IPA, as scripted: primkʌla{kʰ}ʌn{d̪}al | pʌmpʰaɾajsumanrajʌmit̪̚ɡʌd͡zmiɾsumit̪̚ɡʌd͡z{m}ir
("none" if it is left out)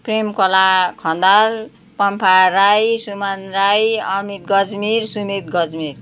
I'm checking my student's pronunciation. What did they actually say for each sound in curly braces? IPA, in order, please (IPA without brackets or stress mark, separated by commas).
kʰ, d̪, m